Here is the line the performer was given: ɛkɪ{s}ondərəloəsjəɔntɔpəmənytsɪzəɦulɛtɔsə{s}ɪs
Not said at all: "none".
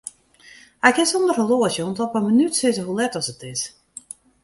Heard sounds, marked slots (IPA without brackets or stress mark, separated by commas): s, t